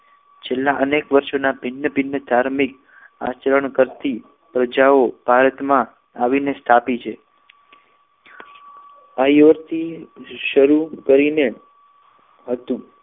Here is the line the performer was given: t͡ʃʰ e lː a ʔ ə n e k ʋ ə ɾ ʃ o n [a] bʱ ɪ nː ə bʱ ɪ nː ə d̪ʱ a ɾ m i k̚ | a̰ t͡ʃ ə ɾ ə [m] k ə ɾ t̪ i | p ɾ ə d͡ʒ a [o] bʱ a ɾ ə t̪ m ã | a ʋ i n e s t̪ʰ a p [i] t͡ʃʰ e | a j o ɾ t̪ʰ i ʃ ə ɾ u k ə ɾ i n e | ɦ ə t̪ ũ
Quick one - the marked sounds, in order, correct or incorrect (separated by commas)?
correct, incorrect, correct, correct